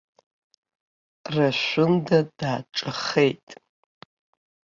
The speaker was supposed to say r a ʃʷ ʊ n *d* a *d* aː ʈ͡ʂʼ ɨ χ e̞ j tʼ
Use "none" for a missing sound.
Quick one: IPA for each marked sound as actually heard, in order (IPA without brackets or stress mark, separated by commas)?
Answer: d, d